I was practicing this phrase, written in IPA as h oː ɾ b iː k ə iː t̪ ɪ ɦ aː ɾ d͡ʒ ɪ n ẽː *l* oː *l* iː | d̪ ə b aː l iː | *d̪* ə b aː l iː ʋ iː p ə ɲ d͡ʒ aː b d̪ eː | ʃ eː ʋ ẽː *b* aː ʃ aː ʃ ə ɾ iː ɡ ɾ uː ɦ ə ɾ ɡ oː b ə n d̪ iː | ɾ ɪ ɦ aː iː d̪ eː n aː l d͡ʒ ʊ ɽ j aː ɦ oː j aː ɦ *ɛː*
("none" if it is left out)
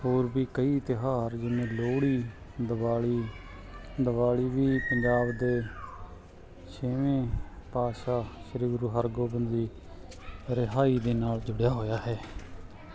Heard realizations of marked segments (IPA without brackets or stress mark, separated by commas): l, ɽ, d̪, p, ɛː